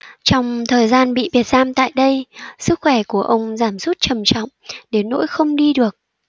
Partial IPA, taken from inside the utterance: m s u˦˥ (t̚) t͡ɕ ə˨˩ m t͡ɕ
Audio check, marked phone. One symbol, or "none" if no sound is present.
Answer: t̚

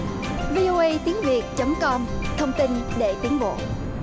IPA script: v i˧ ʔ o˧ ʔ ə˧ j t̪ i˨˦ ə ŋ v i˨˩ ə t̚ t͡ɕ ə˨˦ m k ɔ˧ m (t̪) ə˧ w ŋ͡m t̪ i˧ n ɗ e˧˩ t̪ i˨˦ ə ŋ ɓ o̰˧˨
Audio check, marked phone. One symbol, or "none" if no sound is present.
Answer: t̪ʰ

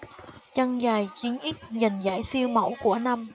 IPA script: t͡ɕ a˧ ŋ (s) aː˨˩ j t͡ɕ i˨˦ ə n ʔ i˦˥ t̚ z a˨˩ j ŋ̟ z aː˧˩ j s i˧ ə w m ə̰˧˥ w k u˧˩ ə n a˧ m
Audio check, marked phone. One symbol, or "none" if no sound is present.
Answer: z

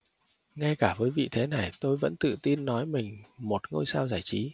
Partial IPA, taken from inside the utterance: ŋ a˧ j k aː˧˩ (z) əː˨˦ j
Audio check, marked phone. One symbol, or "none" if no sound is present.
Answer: v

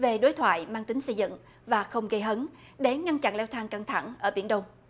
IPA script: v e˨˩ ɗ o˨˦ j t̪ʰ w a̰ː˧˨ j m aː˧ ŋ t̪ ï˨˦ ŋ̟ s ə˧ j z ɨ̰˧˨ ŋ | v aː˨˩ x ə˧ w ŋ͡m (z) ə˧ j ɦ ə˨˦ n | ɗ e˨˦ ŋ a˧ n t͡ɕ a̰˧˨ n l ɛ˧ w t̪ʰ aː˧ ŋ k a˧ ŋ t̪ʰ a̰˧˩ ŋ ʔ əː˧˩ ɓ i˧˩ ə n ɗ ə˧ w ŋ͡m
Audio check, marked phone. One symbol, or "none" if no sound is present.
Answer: ɣ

